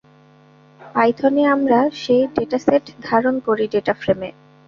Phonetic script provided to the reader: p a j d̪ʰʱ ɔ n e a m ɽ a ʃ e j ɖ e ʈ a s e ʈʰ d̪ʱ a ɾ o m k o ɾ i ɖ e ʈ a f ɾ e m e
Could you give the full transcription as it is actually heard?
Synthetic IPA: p a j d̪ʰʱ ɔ n e a m ɾ a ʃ e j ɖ e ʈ a s e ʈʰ d̪ʱ a ɾ o n k o ɾ i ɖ e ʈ a f ɾ e m e